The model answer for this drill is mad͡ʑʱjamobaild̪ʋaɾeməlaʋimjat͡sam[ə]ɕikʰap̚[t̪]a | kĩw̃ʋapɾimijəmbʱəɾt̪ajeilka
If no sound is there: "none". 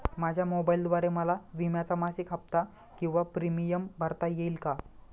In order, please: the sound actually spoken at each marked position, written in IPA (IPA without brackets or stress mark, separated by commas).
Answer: a, t̪